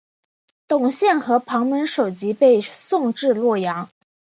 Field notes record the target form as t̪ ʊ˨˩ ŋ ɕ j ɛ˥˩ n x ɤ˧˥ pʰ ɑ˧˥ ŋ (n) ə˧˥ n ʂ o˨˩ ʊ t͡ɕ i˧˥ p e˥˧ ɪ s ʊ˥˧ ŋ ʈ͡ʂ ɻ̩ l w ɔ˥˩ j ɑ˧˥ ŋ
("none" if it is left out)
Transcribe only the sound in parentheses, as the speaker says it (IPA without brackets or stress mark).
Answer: m